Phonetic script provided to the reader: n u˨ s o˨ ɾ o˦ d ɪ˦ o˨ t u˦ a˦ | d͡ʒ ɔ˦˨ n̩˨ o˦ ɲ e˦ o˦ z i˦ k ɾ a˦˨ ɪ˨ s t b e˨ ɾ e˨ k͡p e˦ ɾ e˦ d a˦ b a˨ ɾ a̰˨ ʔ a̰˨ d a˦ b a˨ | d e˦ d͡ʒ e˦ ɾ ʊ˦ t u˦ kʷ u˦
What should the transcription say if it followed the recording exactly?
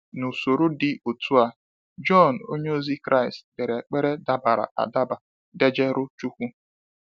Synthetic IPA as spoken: n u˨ s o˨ ɾ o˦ d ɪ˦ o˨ t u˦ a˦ | d͡ʒ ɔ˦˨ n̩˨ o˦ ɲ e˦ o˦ z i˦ k ɾ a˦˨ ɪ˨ s t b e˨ ɾ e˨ k͡p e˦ ɾ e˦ d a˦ b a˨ ɾ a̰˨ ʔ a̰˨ d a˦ b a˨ | d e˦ d͡ʒ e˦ ɾ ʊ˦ t͡ʃ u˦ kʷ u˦

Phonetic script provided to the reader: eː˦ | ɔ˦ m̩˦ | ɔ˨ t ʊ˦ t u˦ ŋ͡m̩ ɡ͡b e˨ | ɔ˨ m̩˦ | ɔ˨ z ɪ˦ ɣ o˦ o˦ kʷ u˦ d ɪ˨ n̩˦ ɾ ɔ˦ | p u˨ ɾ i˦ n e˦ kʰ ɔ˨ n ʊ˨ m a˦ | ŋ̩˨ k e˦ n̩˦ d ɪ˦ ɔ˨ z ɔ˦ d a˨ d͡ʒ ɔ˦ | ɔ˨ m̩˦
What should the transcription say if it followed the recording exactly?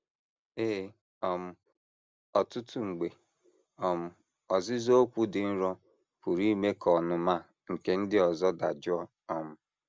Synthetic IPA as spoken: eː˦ | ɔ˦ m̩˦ | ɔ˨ t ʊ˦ t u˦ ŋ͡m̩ ɡ͡b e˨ | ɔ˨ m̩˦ | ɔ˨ z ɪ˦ z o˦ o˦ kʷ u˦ d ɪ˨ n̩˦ ɾ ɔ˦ | p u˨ ɾ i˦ m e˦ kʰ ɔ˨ n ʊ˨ m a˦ | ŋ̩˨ k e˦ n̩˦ d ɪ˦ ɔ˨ z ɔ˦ d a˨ d͡ʒ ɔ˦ | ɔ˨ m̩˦

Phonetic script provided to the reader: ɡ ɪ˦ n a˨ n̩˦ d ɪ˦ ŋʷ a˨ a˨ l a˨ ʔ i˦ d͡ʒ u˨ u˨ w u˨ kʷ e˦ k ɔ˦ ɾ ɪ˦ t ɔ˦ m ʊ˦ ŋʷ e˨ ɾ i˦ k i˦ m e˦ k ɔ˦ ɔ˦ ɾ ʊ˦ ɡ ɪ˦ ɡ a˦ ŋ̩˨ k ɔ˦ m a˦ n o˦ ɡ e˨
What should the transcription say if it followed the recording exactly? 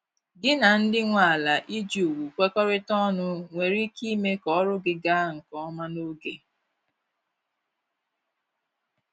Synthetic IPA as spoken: ɡ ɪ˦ n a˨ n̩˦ d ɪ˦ ŋʷ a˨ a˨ l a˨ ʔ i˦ d͡ʒ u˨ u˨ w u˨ kʷ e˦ k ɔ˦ ɾ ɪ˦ t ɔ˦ n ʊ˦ ŋʷ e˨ ɾ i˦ k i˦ m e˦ k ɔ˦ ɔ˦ ɾ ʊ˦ ɡ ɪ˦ ɡ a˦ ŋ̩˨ k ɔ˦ m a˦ n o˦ ɡ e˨

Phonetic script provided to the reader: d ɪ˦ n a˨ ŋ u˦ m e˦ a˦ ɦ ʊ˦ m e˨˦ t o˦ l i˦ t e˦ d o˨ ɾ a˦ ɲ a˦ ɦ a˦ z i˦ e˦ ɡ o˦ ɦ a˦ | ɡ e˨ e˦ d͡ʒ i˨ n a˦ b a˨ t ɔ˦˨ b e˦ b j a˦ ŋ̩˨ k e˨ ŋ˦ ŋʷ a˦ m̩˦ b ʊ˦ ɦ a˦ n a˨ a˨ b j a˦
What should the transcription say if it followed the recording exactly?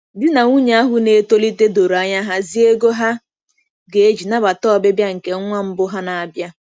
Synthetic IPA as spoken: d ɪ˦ n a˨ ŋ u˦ ɲ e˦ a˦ ɦ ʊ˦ n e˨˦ t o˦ l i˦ t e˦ d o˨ ɾ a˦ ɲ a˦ ɦ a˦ z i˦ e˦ ɡ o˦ ɦ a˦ | ɡ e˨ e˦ d͡ʒ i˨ n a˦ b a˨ t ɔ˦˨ b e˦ b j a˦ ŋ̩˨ k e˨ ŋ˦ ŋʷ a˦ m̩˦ b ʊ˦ ɦ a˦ n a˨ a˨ b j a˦

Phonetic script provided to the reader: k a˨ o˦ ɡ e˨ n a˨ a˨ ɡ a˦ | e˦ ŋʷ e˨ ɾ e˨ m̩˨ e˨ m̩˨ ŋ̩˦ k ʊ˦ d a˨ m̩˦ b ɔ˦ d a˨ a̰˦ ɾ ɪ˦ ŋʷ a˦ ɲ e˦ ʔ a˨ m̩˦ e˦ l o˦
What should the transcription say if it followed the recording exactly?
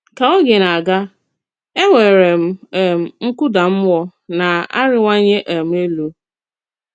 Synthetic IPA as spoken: k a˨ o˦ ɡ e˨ n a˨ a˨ ɡ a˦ | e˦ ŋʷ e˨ ɾ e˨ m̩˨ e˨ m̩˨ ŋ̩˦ k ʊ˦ d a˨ m̩˦ w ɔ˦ n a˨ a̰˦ ɾ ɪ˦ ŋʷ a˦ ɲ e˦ ʔ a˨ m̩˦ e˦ l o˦

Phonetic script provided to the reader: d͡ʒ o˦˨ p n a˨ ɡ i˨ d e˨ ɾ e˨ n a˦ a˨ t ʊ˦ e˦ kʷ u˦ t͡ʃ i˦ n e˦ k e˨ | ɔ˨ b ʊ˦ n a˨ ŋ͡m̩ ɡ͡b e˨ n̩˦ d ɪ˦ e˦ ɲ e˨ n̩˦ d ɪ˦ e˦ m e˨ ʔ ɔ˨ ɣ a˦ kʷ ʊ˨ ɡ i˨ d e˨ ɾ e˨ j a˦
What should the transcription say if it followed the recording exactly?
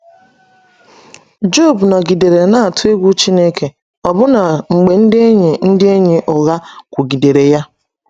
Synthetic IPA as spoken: d͡ʒ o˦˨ b n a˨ ɡ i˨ d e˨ ɾ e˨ n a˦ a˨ t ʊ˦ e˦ ɡʷ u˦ t͡ʃ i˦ n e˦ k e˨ | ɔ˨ b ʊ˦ n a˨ ŋ͡m̩ ɡ͡b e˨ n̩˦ d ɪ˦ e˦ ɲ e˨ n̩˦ d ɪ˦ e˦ ɲ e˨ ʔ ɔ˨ ɣ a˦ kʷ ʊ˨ ɡ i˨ d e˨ ɾ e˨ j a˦

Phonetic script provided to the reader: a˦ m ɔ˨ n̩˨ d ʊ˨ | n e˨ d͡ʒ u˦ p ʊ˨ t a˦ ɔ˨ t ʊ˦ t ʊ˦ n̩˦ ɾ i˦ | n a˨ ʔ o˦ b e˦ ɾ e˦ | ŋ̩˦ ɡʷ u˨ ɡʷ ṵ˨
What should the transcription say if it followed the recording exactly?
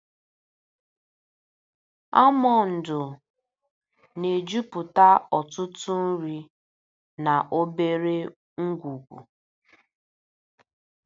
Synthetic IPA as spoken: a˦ m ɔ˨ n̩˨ d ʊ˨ | n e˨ d͡ʒ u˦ p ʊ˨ t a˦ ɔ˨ t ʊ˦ t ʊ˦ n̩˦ ɾ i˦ | n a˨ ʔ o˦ b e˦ ɾ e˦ | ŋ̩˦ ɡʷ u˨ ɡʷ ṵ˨

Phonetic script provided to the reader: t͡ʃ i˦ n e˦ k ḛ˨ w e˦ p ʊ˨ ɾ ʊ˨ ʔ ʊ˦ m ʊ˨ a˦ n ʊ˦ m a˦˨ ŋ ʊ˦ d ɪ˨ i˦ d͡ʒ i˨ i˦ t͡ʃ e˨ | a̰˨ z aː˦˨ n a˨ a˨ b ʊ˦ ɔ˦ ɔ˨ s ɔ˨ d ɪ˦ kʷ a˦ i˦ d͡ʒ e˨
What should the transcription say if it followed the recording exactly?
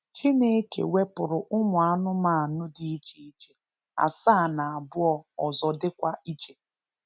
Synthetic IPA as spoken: t͡ʃ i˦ n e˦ k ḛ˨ w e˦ p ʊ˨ ɾ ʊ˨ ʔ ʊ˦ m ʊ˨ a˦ n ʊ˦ m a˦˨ n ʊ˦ d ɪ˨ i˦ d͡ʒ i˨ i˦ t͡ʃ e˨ | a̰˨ s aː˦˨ n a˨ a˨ b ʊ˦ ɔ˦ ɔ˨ z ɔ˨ d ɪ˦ kʷ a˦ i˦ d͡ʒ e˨

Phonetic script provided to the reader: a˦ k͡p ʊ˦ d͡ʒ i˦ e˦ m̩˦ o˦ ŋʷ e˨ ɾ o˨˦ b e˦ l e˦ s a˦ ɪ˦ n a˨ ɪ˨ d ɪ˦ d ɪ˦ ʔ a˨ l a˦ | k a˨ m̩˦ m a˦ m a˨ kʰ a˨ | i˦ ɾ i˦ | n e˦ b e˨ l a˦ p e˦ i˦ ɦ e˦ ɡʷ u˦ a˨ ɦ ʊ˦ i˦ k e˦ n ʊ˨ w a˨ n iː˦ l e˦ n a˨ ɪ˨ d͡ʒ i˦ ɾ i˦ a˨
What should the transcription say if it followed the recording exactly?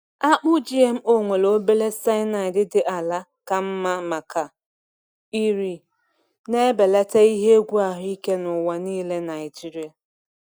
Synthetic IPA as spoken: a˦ k͡p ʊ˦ d͡ʒ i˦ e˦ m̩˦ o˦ ŋʷ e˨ l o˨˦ b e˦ l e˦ s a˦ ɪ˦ n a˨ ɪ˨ d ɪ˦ d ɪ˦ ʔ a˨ l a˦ | k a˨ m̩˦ m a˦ m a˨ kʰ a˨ | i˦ ɾ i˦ | n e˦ b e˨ l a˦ t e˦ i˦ ɦ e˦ ɡʷ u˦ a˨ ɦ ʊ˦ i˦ k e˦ n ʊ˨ w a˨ n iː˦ l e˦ n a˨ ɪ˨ d͡ʒ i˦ ɾ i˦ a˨

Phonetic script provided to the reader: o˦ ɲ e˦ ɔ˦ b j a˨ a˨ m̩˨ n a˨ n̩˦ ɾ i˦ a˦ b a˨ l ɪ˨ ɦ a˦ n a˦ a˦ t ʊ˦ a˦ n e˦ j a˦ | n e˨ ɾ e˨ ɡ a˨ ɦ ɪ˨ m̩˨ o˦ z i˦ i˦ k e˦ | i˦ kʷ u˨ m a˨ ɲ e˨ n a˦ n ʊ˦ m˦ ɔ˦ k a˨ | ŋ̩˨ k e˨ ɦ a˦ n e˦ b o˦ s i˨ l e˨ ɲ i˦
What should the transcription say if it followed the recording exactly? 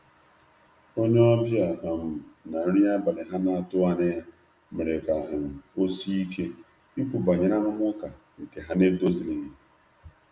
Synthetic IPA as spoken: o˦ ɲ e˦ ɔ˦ b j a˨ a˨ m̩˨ n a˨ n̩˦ ɾ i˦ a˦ b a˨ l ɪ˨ ɦ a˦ n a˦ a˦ t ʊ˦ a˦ n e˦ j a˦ | m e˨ ɾ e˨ k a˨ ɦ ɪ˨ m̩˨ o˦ s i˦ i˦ k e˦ | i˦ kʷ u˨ b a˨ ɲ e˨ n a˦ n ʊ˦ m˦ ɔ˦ k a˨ | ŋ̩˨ k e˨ ɦ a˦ n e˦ d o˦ z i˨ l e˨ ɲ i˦

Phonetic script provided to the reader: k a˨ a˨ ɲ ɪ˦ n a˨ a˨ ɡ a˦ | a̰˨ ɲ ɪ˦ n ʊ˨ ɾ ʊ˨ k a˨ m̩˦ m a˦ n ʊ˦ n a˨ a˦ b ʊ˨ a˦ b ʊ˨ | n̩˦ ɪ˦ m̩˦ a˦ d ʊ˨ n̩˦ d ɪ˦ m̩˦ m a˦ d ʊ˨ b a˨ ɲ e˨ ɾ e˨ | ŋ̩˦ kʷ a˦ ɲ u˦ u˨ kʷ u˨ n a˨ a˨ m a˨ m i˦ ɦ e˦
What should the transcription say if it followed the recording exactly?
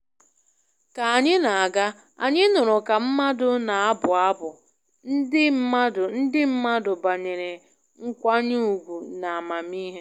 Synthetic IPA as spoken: k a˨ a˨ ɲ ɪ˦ n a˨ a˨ ɡ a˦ | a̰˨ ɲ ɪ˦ n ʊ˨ ɾ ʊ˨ k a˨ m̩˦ m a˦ d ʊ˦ n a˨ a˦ b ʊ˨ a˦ b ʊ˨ | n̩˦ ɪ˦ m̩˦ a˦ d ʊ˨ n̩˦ d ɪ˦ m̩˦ m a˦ d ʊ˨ b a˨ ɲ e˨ ɾ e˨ | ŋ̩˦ kʷ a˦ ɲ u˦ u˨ ɡʷ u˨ n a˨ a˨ m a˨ m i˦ ɦ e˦

